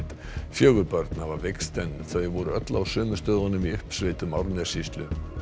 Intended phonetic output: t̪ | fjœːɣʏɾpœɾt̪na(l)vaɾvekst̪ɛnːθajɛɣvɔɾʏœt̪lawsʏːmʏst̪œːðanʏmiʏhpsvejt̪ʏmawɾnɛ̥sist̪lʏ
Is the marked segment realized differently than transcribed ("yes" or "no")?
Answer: yes